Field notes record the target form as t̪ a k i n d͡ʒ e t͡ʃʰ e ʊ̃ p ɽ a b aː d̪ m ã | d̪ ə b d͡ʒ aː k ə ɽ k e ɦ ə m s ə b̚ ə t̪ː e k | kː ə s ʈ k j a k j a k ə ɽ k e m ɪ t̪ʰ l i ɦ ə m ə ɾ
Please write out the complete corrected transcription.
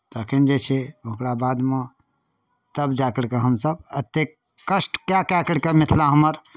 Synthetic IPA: t̪ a k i n d͡ʒ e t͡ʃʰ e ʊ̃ k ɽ a b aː d̪ m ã | t̪ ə b d͡ʒ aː k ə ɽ k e ɦ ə m s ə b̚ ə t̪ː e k | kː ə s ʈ k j a k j a k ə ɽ k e m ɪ t̪ʰ l a ɦ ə m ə ɾ

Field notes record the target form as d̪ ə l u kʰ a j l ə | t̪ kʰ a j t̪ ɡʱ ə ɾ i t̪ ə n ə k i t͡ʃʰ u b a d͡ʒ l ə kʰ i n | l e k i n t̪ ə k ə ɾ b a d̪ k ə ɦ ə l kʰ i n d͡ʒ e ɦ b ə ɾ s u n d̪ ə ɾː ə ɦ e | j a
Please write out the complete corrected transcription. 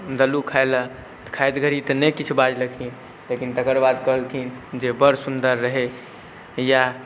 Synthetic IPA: d̪ ə l u kʰ a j l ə | t̪ kʰ a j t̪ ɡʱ ə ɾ i t̪ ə n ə k i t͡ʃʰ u b a d͡ʒ l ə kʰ i n | l e k i n t̪ ə k ə ɾ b a d̪ k ə ɦ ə l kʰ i n d͡ʒ e b ə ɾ s u n d̪ ə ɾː ə ɦ e | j a

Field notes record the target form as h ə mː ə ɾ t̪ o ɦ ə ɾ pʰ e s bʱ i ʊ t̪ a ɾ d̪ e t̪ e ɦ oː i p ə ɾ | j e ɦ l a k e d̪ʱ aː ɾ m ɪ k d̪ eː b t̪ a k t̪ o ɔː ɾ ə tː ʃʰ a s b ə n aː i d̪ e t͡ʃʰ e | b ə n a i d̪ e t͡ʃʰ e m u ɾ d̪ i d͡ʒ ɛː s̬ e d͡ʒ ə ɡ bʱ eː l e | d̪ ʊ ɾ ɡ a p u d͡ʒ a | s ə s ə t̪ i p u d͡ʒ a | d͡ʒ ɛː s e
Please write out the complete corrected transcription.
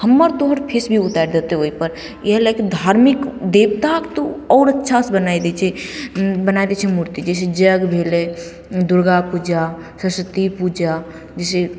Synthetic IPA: h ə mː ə ɾ t̪ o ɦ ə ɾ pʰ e s bʱ i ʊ t̪ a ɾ d̪ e t̪ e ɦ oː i p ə ɾ | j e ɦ l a k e d̪ʱ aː ɾ m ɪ k d̪ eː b t̪ a k t̪ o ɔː ɾ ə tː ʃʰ a s b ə n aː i d̪ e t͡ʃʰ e | b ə n a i d̪ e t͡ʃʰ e m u ɾ t̪ i d͡ʒ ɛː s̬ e d͡ʒ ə ɡ bʱ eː l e | d̪ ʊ ɾ ɡ a p u d͡ʒ a | s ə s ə t̪ i p u d͡ʒ a | d͡ʒ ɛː s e

